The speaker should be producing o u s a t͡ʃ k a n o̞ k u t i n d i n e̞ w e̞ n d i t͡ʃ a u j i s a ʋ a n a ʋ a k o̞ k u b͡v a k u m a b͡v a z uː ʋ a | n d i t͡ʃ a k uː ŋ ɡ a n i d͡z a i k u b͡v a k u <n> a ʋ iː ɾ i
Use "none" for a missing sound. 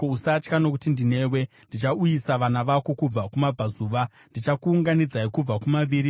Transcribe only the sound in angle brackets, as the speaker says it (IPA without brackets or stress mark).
m